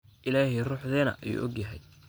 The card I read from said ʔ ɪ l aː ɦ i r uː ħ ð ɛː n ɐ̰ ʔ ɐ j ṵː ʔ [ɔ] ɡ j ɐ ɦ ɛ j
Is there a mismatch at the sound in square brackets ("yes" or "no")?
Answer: no